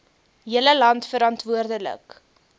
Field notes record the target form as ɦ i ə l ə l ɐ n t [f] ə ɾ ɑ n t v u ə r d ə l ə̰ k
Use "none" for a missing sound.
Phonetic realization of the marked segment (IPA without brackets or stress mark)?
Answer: f